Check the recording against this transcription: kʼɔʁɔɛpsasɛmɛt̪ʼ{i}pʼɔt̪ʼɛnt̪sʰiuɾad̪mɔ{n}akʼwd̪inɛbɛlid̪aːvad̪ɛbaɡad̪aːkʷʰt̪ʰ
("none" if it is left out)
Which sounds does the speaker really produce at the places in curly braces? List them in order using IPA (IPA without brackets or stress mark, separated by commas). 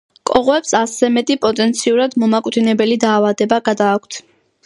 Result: i, m